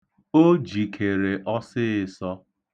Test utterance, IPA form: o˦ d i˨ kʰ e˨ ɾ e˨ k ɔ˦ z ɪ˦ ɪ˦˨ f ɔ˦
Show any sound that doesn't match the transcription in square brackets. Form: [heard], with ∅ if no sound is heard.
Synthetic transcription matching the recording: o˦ [d͡ʒ] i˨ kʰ e˨ ɾ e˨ [ʔ] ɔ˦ [s] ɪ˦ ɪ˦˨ [s] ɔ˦